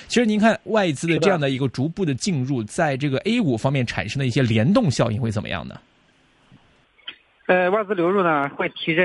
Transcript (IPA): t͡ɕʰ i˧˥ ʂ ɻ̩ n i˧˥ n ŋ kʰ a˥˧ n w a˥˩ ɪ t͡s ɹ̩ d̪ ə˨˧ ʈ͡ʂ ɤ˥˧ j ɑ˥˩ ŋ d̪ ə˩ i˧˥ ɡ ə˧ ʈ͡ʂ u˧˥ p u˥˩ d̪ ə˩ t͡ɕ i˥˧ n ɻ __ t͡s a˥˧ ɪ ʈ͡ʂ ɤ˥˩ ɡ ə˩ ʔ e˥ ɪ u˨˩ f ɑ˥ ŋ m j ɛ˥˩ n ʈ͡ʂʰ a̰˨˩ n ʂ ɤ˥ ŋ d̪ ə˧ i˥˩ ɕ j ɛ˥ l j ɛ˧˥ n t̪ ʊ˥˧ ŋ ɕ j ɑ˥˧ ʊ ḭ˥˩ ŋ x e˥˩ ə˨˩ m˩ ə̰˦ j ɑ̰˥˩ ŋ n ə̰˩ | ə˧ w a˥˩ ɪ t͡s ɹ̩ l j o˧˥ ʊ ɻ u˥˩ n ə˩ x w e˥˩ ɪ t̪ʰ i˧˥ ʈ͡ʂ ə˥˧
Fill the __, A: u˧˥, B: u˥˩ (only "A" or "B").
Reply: B